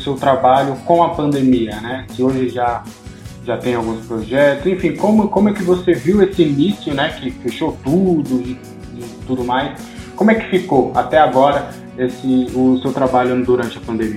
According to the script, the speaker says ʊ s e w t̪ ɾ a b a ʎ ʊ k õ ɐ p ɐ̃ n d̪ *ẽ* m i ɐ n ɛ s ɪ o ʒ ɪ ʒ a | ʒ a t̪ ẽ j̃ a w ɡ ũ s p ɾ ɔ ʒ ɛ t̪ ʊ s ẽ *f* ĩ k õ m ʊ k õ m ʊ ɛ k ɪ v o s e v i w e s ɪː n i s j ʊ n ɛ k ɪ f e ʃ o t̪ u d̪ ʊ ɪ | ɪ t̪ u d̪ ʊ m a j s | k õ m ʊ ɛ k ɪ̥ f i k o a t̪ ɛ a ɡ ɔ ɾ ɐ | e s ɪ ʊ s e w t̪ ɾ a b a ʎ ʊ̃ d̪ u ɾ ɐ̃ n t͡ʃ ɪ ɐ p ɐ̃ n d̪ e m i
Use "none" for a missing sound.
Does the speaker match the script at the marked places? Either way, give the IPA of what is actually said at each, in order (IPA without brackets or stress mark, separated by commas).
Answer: e, f